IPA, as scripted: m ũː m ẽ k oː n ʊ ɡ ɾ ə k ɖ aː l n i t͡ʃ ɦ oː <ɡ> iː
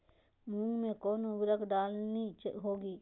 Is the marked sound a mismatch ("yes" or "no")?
no